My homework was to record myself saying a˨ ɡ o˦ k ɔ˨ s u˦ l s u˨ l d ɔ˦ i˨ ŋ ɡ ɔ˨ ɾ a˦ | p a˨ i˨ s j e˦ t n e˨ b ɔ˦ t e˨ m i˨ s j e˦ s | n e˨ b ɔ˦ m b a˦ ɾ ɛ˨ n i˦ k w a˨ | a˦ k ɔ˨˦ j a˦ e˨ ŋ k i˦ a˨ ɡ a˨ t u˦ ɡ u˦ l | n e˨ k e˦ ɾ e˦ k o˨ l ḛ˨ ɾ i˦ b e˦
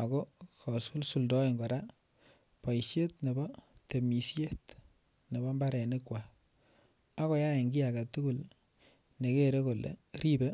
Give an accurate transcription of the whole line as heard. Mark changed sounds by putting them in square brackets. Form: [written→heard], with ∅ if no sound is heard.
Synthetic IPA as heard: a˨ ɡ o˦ k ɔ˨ s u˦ l s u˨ l d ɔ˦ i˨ ŋ ɡ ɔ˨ ɾ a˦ | p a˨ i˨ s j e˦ t n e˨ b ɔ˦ t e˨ m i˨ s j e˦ [s→t] | n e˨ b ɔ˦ m b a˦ ɾ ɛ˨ n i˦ k w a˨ | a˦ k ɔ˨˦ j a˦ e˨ ŋ [k→ɡ] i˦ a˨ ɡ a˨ t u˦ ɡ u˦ l | n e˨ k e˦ ɾ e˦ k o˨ l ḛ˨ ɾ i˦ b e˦